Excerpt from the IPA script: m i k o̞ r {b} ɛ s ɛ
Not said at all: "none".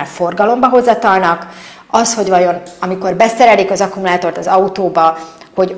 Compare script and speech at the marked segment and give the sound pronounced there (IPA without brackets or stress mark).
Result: b